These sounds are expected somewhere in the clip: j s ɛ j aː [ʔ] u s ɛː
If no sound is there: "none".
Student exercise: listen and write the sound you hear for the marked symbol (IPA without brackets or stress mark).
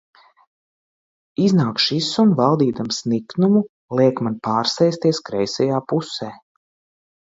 p